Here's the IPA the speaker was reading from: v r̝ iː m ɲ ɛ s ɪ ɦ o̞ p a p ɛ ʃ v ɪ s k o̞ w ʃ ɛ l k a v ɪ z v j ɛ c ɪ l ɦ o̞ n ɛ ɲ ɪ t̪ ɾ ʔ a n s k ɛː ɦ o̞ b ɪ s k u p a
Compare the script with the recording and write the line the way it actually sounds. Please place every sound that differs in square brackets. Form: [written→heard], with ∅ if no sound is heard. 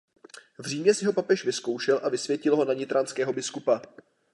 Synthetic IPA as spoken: v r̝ iː m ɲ ɛ s ɪ ɦ o̞ p a p ɛ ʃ v ɪ s k o̞ w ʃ ɛ l [k→ʔ] a v ɪ [z→s] v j ɛ c ɪ l ɦ o̞ n [ɛ→a] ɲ ɪ t̪ ɾ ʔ a n s k ɛː ɦ o̞ b ɪ s k u p a